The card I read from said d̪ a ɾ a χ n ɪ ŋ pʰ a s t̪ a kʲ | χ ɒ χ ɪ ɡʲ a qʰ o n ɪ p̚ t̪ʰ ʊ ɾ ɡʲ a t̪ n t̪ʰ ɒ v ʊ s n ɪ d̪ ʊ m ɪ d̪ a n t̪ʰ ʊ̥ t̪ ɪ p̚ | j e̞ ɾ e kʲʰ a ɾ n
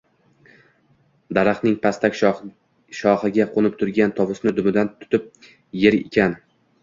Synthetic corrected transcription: d̪ a ɾ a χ n ɪ ŋ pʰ a s t̪ a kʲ | ʃ ɒ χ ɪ ɡʲ a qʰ o n ɪ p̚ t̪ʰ ʊ ɾ ɡʲ a n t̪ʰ ɒ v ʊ s n ɪ d̪ ʊ m ɪ d̪ a n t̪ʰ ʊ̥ t̪ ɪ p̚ | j e̞ ɾ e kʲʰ a n

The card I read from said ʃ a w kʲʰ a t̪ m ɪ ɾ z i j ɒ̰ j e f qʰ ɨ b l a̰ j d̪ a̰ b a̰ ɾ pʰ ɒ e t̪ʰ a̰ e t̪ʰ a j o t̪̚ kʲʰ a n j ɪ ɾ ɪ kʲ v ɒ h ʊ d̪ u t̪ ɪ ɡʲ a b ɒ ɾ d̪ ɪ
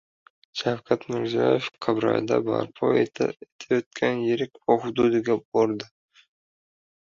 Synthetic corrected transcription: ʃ a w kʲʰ a t̪ m ɪ ɾ z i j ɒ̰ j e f qʰ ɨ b ɾ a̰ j d̪ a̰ b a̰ ɾ pʰ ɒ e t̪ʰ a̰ e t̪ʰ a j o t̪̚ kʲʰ a n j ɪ ɾ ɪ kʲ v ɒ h ʊ d̪ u d̪ ɪ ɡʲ a b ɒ ɾ d̪ ɪ

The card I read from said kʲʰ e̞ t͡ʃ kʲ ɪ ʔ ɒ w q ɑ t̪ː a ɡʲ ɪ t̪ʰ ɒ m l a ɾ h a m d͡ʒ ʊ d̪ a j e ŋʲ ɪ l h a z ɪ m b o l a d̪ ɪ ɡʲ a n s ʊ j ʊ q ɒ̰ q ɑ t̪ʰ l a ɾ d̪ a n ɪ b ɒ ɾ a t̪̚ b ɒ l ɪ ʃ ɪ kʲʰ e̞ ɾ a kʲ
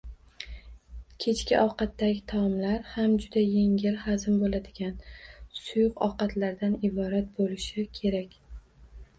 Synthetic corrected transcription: kʲʰ e̞ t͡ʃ kʲ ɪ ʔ ɒ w q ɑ t̪ː a ɡʲ ɪ t̪ʰ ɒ m l a ɾ h a m d͡ʒ ʊ d̪ a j e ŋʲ ɪ l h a z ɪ m b o l a d̪ ɪ ɡʲ a n s ʊ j ʊ q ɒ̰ q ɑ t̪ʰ l a ɾ d̪ a n ɪ b ɒ ɾ a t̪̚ b o l ɪ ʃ ɪ kʲʰ e̞ ɾ a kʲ

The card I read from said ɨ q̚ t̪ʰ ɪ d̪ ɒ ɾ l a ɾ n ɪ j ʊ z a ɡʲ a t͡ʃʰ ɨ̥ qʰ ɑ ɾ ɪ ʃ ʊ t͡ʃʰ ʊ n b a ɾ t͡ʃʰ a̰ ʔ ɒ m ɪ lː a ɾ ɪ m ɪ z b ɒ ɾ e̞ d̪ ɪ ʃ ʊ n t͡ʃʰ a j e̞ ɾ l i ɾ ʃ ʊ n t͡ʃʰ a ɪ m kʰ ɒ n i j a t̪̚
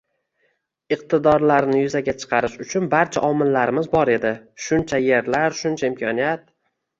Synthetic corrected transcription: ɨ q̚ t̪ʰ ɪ d̪ ɒ ɾ l a ɾ n ɪ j ʊ z a ɡʲ a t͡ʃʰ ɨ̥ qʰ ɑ ɾ ɪ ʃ ʊ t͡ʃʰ ʊ n b a ɾ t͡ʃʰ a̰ ʔ ɒ m ɪ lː a ɾ ɪ m ɪ z b ɒ ɾ e̞ d̪ ɪ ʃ ʊ n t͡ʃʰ a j e̞ ɾ l a ɾ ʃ ʊ n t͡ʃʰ a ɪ m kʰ ɒ n i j a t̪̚

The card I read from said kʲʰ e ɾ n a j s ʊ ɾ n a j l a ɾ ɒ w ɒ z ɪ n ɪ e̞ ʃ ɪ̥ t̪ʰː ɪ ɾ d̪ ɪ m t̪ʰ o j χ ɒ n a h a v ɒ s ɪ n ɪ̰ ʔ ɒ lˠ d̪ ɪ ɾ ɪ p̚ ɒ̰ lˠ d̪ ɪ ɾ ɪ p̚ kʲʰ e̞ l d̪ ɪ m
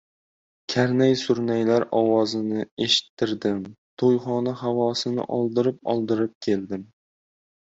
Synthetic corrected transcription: kʲʰ a ɾ n a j s ʊ ɾ n a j l a ɾ ɒ w ɒ z ɪ n ɪ e̞ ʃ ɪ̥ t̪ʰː ɪ ɾ d̪ ɪ m t̪ʰ o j χ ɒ n a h a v ɒ s ɪ n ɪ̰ ʔ ɒ lˠ d̪ ɪ ɾ ɪ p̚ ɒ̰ lˠ d̪ ɪ ɾ ɪ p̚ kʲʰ e̞ l d̪ ɪ m

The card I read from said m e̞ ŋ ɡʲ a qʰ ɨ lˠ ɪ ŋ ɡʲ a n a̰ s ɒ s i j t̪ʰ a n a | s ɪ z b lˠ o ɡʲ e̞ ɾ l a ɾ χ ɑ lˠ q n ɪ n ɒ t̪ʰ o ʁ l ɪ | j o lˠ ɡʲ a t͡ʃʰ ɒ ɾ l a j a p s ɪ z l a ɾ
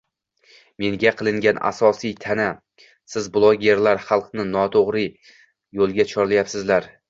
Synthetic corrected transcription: m e̞ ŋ ɡʲ a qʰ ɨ lˠ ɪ ŋ ɡʲ a n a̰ s ɒ s i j t̪ʰ a n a | s ɪ z b lˠ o ɡʲ e̞ ɾ l a ɾ χ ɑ lˠ q n ɪ n ɒ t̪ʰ o ʁ ɾ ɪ | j o lˠ ɡʲ a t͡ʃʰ ɒ ɾ l a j a p s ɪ z l a ɾ

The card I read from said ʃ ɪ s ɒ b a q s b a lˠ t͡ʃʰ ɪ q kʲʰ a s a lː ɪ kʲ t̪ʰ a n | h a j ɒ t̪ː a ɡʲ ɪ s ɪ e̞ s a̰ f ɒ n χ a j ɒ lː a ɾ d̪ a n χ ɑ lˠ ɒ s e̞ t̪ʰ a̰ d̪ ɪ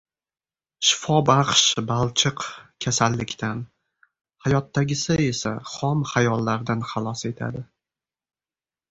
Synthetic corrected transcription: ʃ ɪ f ɒ b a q ʃ b a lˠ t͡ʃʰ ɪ q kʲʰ a s a lː ɪ kʲ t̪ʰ a n | h a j ɒ t̪ː a ɡʲ ɪ s ɪ e̞ s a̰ χ ɒ m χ a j ɒ lː a ɾ d̪ a n χ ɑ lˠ ɒ s e̞ t̪ʰ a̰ d̪ ɪ

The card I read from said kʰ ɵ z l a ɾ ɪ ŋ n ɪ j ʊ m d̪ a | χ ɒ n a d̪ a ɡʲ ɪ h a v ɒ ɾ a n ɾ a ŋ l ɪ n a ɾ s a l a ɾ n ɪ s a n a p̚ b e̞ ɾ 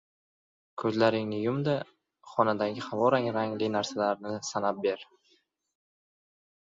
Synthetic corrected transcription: kʰ ɵ z l a ɾ ɪ ŋ n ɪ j ʊ m d̪ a | χ ɒ n a d̪ a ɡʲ ɪ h a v ɒ ɾ a ŋ ɾ a ŋ l ɪ n a ɾ s a l a ɾ n ɪ s a n a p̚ b e̞ ɾ

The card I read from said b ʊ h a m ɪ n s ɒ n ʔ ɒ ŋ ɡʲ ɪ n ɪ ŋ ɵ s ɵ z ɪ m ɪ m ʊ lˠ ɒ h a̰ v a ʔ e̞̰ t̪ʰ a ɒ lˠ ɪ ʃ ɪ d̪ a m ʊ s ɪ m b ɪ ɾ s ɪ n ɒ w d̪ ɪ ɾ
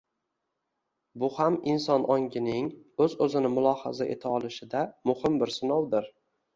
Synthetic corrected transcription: b ʊ h a m ɪ n s ɒ n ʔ ɒ ŋ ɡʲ ɪ n ɪ ŋ ɵ z ɵ z ɪ n ɪ m ʊ lˠ ɒ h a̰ z a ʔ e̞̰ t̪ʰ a ɒ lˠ ɪ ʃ ɪ d̪ a m ʊ h ɪ m b ɪ ɾ s ɪ n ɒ w d̪ ɪ ɾ

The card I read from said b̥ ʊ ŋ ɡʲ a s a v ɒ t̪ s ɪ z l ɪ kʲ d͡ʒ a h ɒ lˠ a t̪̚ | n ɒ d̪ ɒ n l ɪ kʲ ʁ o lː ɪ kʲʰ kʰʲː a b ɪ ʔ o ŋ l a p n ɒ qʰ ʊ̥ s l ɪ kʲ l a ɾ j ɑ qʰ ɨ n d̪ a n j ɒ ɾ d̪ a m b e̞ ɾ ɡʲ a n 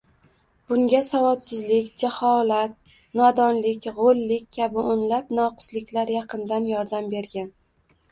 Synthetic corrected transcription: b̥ ʊ ŋ ɡʲ a s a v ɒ t̪ s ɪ z l ɪ kʲ d͡ʒ a h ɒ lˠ a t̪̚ | n ɒ d̪ ɒ n l ɪ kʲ ʁ o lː ɪ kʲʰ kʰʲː a b ɪ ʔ o n l a p n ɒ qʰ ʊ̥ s l ɪ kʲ l a ɾ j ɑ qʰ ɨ n d̪ a n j ɒ ɾ d̪ a m b e̞ ɾ ɡʲ a n

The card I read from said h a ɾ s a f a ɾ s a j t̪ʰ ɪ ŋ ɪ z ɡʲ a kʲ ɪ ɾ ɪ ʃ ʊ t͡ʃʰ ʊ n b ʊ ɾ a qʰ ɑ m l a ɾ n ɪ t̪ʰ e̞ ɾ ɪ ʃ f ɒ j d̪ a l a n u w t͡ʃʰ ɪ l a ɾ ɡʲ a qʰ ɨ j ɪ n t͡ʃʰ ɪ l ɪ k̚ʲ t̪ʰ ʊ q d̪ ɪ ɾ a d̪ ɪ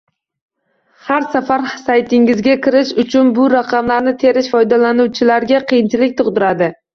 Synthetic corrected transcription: h a ɾ s a f a ɾ s a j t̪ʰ ɪ ŋ ɪ z ɡʲ a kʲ ɪ ɾ ɪ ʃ ʊ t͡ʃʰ ʊ n b ʊ ɾ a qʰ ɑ m l a ɾ n ɪ t̪ʰ e̞ ɾ ɪ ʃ f ɒ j d̪ a l a n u w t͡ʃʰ ɪ l a ɾ ɡʲ a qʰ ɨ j ɪ n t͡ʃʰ ɪ l ɪ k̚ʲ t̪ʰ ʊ q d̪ ɪ ɾ a d̪ ɪ

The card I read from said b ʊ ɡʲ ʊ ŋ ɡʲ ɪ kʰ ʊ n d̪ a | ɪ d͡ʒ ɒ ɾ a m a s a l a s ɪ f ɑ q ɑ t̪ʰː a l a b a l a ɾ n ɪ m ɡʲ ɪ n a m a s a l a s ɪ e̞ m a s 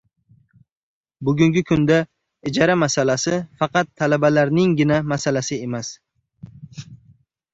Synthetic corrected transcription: b ʊ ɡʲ ʊ ŋ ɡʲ ɪ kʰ ʊ n d̪ a | ɪ d͡ʒ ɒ ɾ a m a s a l a s ɪ f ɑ q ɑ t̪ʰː a l a b a l a ɾ n ɪ ŋ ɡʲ ɪ n a m a s a l a s ɪ e̞ m a s

